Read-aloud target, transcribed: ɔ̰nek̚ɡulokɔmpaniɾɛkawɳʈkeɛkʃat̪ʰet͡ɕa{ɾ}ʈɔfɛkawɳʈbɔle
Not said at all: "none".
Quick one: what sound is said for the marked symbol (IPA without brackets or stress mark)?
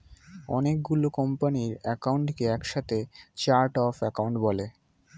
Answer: ɾ